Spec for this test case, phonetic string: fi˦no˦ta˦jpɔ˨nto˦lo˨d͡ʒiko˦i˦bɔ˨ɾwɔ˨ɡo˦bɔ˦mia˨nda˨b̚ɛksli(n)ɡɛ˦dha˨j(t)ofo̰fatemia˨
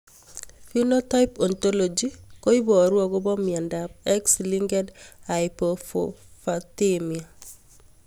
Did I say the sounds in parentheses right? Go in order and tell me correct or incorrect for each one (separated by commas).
incorrect, incorrect